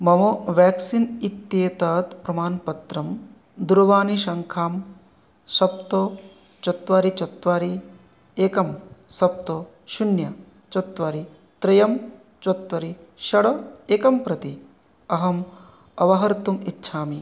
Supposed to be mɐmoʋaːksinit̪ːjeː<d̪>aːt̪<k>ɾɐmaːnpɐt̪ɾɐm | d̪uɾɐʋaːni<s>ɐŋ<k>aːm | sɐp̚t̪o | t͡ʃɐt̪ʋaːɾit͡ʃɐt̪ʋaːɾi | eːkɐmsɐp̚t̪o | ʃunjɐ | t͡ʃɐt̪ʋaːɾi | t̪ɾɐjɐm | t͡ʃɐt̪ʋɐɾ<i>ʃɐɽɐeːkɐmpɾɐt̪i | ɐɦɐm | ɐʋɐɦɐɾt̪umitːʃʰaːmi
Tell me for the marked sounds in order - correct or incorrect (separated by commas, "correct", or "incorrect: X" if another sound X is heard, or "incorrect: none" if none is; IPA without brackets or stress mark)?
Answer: incorrect: t̪, incorrect: p, incorrect: ʃ, incorrect: kʰ, correct